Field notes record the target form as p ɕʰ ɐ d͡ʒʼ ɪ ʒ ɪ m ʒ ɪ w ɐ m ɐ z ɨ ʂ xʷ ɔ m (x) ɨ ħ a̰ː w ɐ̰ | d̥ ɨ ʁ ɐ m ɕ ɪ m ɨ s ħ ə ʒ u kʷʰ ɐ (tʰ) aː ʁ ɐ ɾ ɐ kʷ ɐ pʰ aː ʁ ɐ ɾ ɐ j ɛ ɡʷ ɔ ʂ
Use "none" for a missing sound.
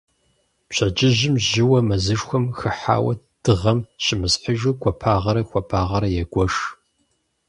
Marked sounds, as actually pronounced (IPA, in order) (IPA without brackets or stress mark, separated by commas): x, pʰ